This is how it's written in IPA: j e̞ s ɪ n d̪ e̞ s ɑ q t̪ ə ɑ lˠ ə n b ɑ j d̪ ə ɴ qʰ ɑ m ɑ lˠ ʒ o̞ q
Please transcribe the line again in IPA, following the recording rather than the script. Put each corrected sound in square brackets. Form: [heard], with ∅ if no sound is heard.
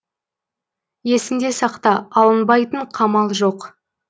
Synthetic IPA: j e̞ s ɪ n d̪ e̞ s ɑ q t̪ [ɑ] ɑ lˠ ə n b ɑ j [t̪] ə ɴ qʰ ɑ m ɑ lˠ ʒ o̞ q